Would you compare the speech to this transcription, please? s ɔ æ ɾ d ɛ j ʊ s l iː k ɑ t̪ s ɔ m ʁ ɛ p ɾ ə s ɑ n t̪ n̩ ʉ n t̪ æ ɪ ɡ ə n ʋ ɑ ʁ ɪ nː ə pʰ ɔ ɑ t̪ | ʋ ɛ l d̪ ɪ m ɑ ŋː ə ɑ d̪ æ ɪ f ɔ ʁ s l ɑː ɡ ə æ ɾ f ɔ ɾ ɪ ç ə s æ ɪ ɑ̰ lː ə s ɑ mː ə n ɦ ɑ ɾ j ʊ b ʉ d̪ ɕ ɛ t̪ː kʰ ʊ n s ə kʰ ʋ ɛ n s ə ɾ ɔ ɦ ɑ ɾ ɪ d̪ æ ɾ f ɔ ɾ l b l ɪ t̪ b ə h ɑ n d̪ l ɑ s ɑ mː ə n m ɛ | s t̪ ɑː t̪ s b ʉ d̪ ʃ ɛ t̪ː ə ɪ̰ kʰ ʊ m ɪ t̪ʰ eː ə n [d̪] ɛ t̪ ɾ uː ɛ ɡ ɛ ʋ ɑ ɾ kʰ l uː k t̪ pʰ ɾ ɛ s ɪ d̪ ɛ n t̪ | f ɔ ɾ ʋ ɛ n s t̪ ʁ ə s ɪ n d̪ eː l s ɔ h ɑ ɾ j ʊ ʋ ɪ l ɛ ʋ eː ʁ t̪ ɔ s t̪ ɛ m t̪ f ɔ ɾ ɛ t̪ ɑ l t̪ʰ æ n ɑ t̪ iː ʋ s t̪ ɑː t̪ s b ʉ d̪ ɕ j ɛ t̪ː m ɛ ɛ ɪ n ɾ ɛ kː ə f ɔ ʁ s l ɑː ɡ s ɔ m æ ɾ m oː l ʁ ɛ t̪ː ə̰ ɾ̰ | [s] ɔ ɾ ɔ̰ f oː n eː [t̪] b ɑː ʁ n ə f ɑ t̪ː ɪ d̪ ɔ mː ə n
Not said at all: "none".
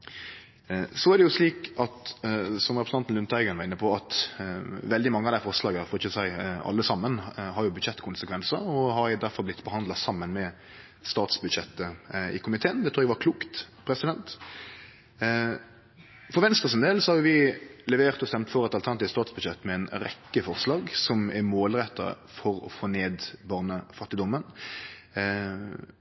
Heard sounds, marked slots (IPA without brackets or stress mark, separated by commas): d̪, f, d̪